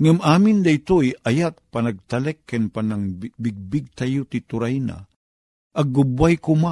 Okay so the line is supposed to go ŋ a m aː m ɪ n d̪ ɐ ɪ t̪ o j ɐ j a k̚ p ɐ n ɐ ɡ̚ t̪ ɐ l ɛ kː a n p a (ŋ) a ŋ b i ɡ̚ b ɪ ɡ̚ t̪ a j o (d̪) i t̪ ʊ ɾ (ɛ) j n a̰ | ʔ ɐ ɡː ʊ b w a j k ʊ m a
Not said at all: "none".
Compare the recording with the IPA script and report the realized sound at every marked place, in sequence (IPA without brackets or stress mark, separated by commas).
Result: n, t̪, a